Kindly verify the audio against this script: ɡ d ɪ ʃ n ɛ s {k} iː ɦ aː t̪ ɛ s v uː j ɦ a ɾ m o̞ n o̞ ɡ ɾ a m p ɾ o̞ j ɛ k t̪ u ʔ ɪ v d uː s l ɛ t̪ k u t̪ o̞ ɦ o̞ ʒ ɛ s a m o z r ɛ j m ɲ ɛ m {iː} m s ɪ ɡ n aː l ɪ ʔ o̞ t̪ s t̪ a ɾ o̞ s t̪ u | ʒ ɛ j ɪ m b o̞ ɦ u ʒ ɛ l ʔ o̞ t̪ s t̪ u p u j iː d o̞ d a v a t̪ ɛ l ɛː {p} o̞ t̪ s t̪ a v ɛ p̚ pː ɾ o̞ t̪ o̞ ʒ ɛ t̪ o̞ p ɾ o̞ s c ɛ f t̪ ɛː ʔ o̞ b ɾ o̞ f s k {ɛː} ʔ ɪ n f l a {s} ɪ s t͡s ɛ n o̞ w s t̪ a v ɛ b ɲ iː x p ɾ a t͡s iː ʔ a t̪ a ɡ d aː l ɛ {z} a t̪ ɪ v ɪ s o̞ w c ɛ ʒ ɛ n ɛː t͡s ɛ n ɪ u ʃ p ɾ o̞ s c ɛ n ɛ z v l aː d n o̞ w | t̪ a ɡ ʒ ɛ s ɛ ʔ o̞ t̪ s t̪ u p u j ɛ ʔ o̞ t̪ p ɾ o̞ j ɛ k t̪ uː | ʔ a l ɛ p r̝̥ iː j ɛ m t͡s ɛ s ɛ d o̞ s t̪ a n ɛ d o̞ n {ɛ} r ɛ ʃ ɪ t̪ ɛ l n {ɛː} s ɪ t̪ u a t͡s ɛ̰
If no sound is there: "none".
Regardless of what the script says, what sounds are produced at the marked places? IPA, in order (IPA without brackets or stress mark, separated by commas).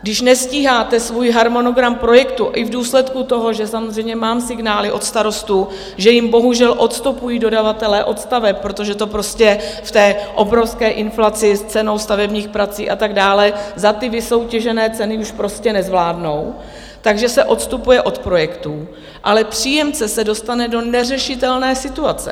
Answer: c, aː, ʔ, ɛː, t͡s, z, ɛ, ɛː